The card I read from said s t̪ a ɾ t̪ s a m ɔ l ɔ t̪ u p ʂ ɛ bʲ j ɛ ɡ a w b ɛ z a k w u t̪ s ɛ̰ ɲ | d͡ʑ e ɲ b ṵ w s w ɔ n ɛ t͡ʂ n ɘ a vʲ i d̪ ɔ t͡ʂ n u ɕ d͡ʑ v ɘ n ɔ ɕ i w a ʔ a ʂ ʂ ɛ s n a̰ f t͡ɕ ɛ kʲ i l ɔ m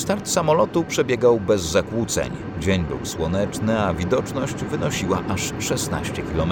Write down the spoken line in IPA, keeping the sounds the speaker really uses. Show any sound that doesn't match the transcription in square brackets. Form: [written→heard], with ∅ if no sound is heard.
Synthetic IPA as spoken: s t̪ a ɾ t̪ s a m ɔ l ɔ t̪ u p ʂ ɛ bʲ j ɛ ɡ a w b ɛ [z→zː] a k w u t̪ s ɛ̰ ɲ | d͡ʑ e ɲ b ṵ w s w ɔ n ɛ t͡ʂ n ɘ a vʲ i d̪ ɔ t͡ʂ n [u→ɔ] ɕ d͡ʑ v ɘ n ɔ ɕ i w a ʔ a ʂ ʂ ɛ s n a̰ [f→ɕ] t͡ɕ ɛ kʲ i l ɔ m